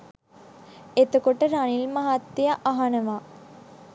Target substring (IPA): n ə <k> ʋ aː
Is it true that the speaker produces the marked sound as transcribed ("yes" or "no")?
no